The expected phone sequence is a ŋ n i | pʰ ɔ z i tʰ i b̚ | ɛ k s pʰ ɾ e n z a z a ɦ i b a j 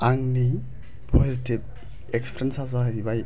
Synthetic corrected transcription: a ŋ n i | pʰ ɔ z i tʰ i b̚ | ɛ k s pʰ ɾ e n s a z a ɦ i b a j